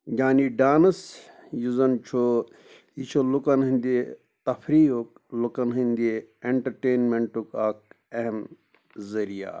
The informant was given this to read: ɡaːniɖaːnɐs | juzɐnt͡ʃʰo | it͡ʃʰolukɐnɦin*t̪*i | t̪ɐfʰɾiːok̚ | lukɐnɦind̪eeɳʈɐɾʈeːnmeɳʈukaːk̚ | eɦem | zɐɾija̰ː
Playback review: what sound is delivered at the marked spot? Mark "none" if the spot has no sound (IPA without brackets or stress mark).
d̪